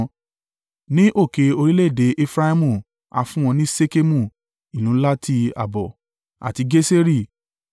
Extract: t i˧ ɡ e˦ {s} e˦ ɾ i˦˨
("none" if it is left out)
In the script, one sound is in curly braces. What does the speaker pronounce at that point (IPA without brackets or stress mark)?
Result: s